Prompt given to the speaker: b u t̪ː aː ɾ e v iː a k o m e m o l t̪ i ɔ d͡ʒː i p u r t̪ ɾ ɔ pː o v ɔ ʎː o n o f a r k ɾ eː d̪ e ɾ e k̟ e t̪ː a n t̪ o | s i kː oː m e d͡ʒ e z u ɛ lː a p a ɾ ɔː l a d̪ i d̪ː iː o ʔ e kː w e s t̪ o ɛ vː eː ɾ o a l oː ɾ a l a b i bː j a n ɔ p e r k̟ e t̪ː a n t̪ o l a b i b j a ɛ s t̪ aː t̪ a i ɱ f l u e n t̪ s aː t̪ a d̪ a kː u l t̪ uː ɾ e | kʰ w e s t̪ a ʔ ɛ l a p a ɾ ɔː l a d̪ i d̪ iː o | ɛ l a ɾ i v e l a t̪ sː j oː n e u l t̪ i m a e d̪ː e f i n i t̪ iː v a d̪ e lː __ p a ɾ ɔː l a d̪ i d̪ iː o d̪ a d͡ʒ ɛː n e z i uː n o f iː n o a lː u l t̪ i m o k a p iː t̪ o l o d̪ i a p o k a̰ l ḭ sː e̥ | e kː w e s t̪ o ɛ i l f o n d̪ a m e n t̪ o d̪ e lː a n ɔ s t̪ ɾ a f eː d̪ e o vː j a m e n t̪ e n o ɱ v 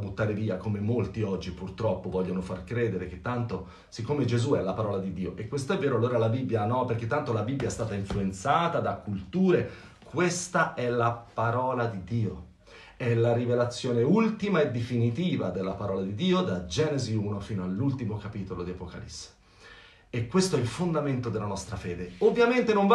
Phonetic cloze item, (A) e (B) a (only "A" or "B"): B